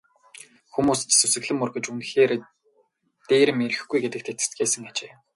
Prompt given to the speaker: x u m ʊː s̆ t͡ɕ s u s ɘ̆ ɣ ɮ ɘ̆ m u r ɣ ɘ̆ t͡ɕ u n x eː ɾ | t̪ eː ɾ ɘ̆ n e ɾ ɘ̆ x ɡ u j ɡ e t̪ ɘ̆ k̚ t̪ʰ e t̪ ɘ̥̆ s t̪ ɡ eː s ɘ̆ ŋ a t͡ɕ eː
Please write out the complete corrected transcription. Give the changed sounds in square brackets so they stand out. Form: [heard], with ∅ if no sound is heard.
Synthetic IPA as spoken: x u m [uː] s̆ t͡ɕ s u s ɘ̆ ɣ ɮ ɘ̆ m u r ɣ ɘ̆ t͡ɕ u n x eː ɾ | t̪ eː ɾ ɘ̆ [m] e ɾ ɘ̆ x ɡ u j ɡ e t̪ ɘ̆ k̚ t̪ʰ e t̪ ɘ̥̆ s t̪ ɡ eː s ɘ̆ ŋ a t͡ɕ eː